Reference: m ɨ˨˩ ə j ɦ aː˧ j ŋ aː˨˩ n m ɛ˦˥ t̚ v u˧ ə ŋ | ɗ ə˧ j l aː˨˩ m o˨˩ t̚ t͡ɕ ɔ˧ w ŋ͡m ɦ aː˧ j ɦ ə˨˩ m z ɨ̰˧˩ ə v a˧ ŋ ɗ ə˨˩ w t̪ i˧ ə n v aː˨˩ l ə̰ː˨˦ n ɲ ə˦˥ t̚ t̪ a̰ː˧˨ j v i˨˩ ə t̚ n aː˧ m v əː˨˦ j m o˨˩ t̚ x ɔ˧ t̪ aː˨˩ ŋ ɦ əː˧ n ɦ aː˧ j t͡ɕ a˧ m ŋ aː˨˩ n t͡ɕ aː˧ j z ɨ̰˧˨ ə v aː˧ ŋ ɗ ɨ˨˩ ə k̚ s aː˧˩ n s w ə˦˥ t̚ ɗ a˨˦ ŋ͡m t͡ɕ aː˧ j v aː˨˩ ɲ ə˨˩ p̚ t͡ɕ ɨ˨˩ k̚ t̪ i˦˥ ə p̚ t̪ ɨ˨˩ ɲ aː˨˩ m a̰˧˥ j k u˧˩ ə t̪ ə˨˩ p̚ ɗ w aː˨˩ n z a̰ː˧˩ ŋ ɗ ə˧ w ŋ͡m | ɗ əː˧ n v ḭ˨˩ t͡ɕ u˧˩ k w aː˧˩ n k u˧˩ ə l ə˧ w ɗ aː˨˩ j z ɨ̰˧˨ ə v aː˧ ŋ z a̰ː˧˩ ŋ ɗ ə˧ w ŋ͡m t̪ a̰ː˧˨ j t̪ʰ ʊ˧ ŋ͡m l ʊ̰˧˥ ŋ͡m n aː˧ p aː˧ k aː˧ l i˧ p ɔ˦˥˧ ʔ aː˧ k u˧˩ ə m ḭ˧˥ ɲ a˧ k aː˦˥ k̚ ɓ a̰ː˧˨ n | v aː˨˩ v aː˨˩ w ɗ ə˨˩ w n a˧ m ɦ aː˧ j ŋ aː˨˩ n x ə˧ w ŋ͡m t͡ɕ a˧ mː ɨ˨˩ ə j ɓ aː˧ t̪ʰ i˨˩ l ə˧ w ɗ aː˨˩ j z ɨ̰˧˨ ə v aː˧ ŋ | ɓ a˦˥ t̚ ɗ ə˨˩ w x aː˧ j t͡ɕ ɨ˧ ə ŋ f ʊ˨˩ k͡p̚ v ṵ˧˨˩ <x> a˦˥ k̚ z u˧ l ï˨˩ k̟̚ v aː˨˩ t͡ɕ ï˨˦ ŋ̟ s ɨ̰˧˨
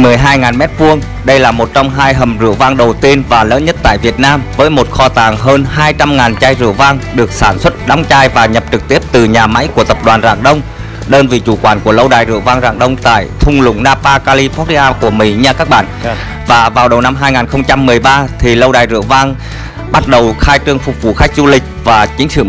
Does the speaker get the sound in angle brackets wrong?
no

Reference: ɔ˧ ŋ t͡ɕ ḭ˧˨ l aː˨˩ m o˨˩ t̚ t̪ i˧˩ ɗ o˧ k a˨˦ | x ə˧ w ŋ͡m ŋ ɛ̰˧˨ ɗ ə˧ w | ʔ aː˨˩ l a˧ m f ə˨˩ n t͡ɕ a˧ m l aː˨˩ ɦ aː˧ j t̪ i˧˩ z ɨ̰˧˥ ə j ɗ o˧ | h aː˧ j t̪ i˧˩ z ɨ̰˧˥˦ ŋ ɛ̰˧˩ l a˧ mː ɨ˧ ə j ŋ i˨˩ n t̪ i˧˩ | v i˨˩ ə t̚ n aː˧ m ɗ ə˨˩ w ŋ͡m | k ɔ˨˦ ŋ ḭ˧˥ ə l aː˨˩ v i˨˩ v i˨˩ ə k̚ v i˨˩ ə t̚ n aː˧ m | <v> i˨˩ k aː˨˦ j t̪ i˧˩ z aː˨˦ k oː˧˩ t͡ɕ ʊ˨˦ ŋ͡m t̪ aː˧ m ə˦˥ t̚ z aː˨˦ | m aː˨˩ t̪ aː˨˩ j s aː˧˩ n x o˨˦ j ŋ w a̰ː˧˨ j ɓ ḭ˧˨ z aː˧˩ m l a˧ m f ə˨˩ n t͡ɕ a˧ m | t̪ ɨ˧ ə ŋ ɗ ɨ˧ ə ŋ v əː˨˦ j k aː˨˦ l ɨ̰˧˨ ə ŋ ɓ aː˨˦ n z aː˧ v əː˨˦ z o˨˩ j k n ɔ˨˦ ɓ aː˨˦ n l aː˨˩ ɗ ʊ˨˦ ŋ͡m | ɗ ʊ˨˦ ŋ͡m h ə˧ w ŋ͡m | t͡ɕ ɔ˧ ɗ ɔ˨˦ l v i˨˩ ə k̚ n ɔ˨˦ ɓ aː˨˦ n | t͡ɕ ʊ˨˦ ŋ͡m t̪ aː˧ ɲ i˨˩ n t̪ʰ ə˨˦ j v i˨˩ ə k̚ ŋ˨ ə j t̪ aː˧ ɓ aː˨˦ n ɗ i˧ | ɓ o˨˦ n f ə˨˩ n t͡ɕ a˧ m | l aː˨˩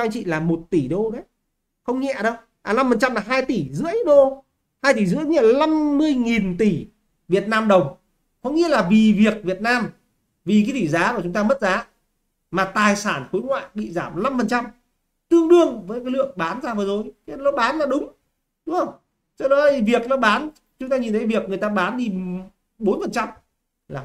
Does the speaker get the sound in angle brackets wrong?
no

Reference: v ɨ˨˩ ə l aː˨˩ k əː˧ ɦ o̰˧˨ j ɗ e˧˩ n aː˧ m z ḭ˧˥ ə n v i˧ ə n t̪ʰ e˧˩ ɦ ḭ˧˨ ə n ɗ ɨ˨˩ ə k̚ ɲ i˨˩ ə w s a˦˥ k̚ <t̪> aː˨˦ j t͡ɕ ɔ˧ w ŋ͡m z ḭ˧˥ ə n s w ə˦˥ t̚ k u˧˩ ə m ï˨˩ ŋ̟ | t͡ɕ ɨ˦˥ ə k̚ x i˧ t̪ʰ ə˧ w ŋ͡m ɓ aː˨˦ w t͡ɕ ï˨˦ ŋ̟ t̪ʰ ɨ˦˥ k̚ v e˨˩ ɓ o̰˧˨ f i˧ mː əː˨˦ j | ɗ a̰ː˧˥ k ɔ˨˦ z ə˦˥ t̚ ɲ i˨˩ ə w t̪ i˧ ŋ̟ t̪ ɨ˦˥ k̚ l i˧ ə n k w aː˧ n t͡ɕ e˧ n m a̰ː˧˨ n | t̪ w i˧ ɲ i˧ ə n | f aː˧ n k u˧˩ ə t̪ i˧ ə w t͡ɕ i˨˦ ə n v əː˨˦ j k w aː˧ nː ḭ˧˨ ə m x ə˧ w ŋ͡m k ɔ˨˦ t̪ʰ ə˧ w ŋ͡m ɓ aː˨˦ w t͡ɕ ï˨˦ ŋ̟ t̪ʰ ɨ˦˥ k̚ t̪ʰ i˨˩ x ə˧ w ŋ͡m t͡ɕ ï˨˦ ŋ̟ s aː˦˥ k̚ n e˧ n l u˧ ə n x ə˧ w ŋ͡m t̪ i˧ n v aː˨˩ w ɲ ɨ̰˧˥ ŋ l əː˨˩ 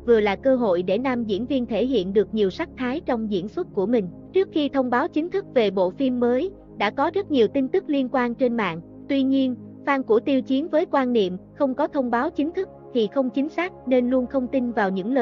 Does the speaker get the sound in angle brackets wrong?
yes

